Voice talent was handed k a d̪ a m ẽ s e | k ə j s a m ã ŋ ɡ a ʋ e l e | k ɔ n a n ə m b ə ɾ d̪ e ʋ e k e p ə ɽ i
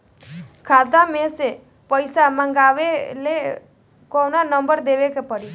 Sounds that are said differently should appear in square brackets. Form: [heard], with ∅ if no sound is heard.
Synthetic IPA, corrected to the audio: [kʰ] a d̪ a m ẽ s e | [p] ə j s a m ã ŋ ɡ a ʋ e l e | k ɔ n a n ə m b ə ɾ d̪ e ʋ e k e p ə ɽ i